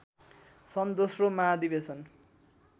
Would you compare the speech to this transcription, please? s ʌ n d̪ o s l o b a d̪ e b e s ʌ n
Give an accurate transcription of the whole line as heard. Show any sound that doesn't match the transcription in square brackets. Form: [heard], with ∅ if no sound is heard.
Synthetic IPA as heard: s ʌ n d̪ o s [r] o [m] a d̪ [i] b e s ʌ n

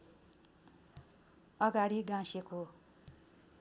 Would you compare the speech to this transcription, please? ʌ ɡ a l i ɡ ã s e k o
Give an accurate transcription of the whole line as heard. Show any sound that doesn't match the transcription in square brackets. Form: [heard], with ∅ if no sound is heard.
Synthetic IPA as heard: ʌ ɡ a [ɽ] i ɡ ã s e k o

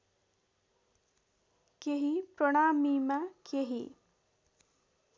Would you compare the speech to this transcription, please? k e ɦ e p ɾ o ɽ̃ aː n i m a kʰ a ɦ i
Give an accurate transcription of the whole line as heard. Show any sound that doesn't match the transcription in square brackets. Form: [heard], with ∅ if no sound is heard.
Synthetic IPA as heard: k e ɦ [i] p ɾ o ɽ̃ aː [m] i m a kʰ [e] ɦ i

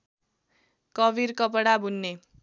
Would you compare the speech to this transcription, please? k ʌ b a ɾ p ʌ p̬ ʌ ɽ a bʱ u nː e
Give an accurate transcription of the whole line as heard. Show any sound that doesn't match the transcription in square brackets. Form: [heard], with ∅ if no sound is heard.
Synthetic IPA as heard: k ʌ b [i] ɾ [k] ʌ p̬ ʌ ɽ a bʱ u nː e

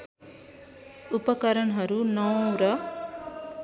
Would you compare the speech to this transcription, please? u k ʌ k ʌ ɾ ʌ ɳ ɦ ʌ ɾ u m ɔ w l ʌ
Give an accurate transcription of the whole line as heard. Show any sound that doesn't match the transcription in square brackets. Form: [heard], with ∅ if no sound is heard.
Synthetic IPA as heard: u [p] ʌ k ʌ ɾ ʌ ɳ ɦ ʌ ɾ u [n] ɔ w [ɾ] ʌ

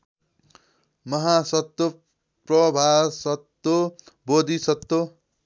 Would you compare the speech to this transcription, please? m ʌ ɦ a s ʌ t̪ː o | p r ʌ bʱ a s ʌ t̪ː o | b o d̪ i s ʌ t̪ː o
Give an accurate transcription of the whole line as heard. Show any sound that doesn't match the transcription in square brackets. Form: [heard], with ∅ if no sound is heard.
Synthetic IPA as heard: m ʌ ɦ a s ʌ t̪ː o | p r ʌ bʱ a s ʌ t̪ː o | b o d̪ i s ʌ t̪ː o

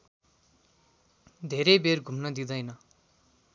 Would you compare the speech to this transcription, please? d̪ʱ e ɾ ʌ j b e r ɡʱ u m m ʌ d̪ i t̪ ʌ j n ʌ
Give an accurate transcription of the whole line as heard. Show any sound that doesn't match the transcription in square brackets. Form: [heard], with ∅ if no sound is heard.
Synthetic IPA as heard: d̪ʱ e ɾ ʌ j b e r ɡʱ u m [n] ʌ d̪ i [d̪] ʌ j n ʌ

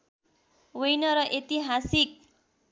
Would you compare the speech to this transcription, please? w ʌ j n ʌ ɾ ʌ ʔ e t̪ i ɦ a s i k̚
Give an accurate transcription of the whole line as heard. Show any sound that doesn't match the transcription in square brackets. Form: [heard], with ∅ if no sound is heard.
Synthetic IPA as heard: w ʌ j n ʌ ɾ ʌ ʔ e t̪ i ɦ a s i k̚

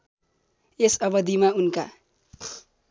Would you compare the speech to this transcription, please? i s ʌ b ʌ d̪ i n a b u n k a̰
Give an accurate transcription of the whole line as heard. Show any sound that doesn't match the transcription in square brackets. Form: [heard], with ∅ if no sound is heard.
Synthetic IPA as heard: [e] s ʌ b ʌ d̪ i [m] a [∅] u n k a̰

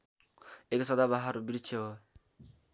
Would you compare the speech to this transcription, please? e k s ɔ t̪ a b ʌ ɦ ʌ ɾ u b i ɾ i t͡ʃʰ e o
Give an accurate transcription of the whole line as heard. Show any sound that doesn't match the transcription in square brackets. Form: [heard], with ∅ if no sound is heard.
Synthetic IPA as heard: e k s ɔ [d̪] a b [a] ɦ [a] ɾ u b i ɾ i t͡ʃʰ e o

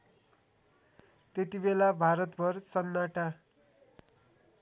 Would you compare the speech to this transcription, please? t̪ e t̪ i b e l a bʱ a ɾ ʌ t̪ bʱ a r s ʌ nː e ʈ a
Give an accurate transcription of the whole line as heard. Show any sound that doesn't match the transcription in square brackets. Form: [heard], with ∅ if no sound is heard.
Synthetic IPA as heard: t̪ e t̪ i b e l a bʱ a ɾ ʌ t̪ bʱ [ʌ] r s ʌ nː [a] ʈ a

